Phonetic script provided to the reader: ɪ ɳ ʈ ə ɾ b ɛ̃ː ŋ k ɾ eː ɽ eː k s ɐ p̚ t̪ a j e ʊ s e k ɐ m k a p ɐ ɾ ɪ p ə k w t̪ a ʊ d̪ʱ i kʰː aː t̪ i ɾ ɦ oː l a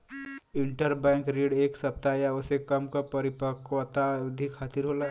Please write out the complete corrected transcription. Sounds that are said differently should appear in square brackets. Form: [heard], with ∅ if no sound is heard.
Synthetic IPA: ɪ ɳ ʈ ə ɾ b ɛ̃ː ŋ k ɾ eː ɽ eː k s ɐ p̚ t̪ a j [a] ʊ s e k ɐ m k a p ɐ ɾ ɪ p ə k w t̪ a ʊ d̪ʱ i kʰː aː t̪ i ɾ ɦ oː l a